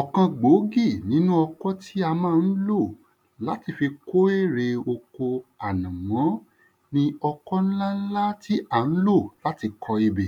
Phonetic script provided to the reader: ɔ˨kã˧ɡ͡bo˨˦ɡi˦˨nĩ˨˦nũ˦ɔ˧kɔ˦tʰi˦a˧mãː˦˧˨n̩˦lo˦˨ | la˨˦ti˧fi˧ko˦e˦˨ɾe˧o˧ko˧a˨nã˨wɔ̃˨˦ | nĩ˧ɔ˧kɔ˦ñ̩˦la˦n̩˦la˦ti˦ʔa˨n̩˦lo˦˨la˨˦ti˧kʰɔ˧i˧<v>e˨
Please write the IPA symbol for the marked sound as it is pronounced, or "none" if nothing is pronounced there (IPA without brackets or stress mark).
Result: b